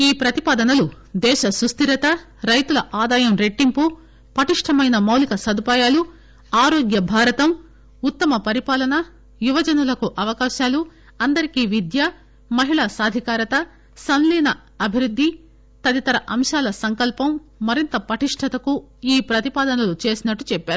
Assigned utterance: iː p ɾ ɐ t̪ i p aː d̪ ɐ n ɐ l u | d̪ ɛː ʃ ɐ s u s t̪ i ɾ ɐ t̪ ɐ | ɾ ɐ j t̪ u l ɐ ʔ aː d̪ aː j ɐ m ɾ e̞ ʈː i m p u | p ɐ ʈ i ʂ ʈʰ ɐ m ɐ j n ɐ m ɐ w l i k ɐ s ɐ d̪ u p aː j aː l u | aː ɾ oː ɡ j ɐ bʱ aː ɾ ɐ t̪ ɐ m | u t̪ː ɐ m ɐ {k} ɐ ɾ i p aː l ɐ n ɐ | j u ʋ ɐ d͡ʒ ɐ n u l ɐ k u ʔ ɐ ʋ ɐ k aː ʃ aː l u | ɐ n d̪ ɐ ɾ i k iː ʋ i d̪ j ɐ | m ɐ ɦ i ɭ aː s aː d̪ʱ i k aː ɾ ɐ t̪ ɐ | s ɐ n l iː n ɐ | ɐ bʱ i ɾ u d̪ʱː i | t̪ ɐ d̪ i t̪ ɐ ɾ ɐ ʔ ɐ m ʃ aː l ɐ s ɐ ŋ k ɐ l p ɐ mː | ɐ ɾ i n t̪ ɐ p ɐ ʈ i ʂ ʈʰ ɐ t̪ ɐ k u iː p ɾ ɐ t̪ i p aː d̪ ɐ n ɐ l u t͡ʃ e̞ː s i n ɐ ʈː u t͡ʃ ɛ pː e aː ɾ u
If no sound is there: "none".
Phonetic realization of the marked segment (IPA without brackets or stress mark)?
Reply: p